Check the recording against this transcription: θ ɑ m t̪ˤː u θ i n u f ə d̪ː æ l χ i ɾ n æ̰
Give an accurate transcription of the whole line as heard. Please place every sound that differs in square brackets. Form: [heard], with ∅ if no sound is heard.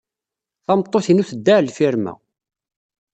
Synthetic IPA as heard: θ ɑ m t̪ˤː [o] θ i n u [θ] ə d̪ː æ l [f] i ɾ [m] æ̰

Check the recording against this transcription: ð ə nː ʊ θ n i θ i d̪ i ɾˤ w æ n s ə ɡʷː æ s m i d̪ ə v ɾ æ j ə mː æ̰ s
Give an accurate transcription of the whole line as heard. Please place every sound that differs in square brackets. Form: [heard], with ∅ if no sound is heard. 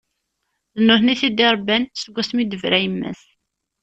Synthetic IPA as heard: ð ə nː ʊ θ n i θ i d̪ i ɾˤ [b] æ n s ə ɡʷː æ s m i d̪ ə v ɾ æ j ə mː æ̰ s

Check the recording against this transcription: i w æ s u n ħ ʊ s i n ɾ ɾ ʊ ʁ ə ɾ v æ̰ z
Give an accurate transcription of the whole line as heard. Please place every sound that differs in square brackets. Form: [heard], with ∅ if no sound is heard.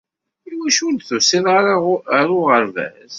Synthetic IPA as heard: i w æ [ʃ] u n [θ] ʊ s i n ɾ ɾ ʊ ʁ ə ɾ v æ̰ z

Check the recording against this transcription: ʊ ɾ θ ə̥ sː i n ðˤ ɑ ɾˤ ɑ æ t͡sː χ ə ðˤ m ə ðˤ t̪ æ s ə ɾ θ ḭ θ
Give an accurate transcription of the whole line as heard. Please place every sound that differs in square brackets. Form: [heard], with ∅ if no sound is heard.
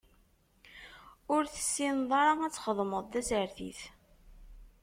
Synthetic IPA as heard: ʊ ɾ θ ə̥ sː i n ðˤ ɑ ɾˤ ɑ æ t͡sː χ ə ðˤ m ə ðˤ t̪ æ s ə ɾ θ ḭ θ

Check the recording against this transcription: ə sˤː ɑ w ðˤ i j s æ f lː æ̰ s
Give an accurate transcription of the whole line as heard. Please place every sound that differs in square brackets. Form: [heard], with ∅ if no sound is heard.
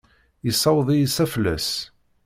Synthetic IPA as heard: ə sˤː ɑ w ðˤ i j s æ f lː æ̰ s

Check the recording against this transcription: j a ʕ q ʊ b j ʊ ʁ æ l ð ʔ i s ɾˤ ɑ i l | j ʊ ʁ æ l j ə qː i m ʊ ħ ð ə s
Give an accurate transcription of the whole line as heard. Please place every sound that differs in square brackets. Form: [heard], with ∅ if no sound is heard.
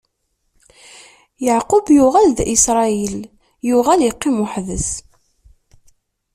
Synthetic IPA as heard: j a ʕ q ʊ b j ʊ ʁ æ l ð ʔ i s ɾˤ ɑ i l | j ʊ ʁ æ l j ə qː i m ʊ ħ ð ə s

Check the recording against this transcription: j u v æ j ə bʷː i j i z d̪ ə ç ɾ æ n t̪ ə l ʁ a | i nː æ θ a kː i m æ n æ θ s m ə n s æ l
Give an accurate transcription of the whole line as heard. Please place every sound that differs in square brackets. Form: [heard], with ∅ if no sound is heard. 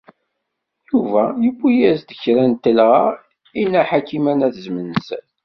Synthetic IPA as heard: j u v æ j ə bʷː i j [æ] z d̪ ə ç ɾ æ n t̪ ə l ʁ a | i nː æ [ħ] a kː i m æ n æ θ [z] m ə n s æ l

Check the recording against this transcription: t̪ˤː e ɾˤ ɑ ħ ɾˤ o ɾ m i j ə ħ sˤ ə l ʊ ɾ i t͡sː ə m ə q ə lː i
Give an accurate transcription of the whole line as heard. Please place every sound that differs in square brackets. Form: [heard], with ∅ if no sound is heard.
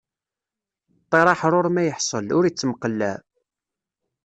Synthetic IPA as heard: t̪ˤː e ɾˤ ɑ ħ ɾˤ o ɾ m [æ] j ə ħ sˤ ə l ʊ ɾ i t͡sː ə m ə q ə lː [æ]

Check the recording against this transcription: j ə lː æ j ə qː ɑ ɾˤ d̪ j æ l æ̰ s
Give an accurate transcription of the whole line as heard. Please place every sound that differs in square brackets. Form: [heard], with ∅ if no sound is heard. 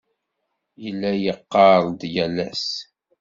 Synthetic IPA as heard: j ə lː æ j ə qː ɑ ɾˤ d̪ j æ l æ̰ s

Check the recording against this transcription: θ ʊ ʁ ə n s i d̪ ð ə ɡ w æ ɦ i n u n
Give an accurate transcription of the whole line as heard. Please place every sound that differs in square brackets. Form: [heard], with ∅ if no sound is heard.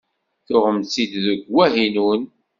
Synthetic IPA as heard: θ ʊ ʁ ə [m] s i d̪ ð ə ɡ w æ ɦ i n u n

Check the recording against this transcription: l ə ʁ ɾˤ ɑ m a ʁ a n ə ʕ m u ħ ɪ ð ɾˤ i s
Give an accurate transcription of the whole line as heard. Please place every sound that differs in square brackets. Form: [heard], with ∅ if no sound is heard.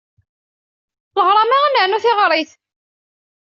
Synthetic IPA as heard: l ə ʁ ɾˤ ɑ m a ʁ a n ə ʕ [n] u [θ] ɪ [ʁ] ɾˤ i [θ]

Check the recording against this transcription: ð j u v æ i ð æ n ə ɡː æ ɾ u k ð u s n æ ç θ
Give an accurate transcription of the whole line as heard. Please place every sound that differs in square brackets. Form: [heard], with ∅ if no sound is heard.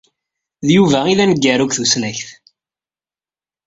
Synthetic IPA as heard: ð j u v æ i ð æ n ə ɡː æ ɾ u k [θ] u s n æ ç θ

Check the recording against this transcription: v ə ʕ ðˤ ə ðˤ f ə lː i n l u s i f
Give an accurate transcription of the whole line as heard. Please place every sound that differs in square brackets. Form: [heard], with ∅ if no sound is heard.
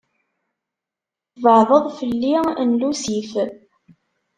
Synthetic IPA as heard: v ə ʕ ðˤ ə ðˤ f ə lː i n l u s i f

